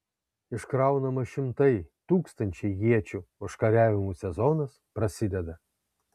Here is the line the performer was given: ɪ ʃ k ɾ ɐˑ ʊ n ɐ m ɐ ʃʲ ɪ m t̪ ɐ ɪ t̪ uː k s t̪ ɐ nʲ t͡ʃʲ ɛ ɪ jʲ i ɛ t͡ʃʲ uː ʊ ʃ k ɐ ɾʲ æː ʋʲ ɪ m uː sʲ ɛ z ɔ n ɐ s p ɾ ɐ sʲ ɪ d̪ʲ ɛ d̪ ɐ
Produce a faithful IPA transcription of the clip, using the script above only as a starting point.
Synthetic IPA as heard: ɪ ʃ k ɾ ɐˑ ʊ n ɐ m ɐ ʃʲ ɪ m t̪ ɐ ɪ t̪ uː k s t̪ ɐ nʲ t͡ʃʲ ɛ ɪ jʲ i ɛ t͡ʃʲ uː ʊ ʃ k ɐ ɾʲ æː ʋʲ ɪ m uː sʲ ɛ z ɔ n ɐ s p ɾ ɐ sʲ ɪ d̪ʲ ɛ d̪ ɐ